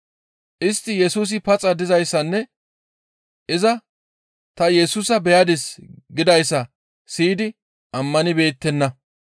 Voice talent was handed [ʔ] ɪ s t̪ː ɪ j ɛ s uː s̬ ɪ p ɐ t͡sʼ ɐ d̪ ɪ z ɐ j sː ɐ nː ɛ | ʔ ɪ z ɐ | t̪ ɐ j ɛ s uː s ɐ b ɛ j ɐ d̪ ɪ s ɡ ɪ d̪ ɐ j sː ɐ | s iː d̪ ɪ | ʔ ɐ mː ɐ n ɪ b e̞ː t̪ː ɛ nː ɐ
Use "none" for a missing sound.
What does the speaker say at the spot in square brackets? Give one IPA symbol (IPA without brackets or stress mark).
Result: ʔ